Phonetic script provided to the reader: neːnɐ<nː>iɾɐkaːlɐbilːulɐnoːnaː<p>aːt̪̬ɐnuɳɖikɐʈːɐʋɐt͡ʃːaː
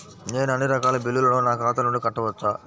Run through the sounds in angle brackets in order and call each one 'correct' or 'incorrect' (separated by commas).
correct, incorrect